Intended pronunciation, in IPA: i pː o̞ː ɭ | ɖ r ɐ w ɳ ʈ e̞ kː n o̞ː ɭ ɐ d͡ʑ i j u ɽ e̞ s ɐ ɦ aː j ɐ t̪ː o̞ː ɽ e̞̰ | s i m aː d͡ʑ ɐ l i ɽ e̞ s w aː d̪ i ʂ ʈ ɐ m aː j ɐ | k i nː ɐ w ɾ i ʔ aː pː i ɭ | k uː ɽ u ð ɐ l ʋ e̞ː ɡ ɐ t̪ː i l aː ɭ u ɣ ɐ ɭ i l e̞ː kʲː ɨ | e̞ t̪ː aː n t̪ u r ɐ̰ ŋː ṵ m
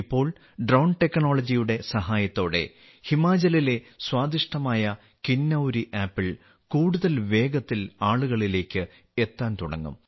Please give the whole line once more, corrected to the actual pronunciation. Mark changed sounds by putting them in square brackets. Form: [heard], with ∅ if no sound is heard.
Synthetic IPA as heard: i pː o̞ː ɭ | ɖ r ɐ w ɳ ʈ e̞ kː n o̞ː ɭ ɐ d͡ʑ i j u ɽ e̞ s ɐ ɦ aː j ɐ t̪ː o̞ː ɽ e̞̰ | [h] i m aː d͡ʑ ɐ l i [l] e̞ s w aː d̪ i ʂ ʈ ɐ m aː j ɐ | k i nː ɐ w ɾ i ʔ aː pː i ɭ | k uː ɽ u ð ɐ l ʋ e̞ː ɡ ɐ t̪ː i l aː ɭ u ɣ ɐ ɭ i l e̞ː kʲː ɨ | e̞ t̪ː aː n t̪ u [ɽ] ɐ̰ ŋː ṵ m

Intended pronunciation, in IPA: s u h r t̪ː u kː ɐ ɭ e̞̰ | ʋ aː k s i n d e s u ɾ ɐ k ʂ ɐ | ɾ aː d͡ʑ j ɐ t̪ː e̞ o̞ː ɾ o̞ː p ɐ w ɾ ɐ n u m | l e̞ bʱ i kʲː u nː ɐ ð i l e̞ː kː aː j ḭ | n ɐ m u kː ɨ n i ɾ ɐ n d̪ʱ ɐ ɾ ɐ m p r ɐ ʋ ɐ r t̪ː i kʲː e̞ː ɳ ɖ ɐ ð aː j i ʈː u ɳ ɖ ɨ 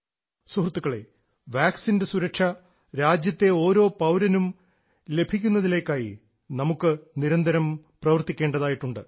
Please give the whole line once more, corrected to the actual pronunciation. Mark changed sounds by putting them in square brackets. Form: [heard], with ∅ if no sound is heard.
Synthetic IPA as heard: s u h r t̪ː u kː ɐ ɭ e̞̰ | ʋ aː k s i n d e s u ɾ ɐ k ʂ ɐ | ɾ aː d͡ʑ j ɐ t̪ː e̞ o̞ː ɾ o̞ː p ɐ w ɾ ɐ n u m | l e̞ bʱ i kʲː u nː ɐ ð i l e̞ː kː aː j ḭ | n ɐ m u kː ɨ n i ɾ ɐ n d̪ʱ ɐ ɾ ɐ m p r ɐ ʋ ɐ r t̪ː i kʲː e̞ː ɳ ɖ ɐ ð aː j i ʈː u ɳ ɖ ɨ

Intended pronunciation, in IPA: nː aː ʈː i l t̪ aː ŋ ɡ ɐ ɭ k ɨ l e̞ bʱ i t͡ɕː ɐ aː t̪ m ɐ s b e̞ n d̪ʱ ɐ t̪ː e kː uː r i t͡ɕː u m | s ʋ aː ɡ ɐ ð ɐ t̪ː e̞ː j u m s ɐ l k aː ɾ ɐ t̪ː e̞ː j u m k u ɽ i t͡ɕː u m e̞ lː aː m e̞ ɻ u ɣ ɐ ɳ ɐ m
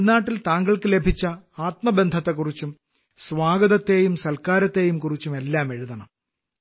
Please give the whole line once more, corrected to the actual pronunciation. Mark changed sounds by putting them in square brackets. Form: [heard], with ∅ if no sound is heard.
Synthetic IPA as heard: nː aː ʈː i l t̪ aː ŋ ɡ ɐ ɭ k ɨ l e̞ bʱ i t͡ɕː ɐ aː t̪ m ɐ [∅] b e̞ n d̪ʱ ɐ t̪ː e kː [u] r i t͡ɕː u m | s ʋ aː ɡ ɐ ð ɐ t̪ː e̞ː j u m s ɐ l k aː ɾ ɐ t̪ː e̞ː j u m k u [r] i t͡ɕː u m e̞ lː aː m e̞ ɻ u [ð] ɐ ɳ ɐ m

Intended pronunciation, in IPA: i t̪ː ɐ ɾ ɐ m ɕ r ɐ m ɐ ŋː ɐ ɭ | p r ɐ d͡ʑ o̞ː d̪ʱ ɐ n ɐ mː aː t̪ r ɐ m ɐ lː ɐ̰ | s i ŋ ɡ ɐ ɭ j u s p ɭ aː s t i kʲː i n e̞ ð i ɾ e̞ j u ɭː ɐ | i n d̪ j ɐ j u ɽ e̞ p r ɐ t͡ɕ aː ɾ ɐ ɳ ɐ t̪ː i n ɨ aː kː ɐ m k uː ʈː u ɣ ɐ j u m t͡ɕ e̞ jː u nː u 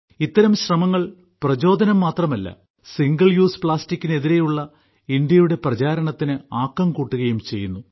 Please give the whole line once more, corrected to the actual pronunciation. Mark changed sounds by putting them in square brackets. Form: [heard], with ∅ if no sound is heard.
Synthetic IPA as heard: i t̪ː ɐ ɾ ɐ m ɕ r ɐ m ɐ ŋː ɐ ɭ | p r ɐ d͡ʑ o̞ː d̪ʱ ɐ n ɐ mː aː t̪ r ɐ m ɐ lː ɐ̰ | s i ŋ ɡ ɐ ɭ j [uː] s p ɭ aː s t i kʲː i n e̞ ð i ɾ e̞ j u ɭː ɐ | i n d̪ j ɐ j u ɽ e̞ p r ɐ t͡ɕ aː ɾ ɐ ɳ ɐ t̪ː i n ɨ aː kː ɐ m k uː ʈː u ɣ ɐ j u m t͡ɕ e̞ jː u nː u

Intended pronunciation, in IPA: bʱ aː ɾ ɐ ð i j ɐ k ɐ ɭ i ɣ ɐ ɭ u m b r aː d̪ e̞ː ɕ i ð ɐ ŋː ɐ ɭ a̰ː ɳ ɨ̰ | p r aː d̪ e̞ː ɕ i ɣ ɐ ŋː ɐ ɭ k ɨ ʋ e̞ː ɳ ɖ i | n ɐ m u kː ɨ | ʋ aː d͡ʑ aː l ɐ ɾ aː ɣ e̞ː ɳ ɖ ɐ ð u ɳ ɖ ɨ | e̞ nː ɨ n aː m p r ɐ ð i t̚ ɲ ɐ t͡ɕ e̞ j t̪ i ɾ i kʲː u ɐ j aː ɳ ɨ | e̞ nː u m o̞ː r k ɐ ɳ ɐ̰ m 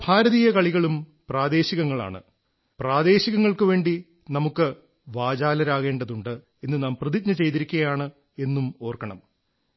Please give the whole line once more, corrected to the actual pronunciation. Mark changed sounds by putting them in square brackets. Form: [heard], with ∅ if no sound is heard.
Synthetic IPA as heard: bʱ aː ɾ ɐ ð i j ɐ k ɐ ɭ i ɣ ɐ ɭ u m [p] r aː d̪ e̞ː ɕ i [ɣ] ɐ ŋː ɐ ɭ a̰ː ɳ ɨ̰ | p r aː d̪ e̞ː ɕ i ɣ ɐ ŋː ɐ ɭ k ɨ ʋ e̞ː ɳ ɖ i | n ɐ m u kː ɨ | ʋ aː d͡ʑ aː l ɐ ɾ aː ɣ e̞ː ɳ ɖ ɐ ð u ɳ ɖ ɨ | e̞ nː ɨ n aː m p r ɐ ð i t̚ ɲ ɐ t͡ɕ e̞ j t̪ i ɾ i kʲː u ɐ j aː ɳ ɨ | e̞ nː u m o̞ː r k ɐ ɳ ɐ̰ m

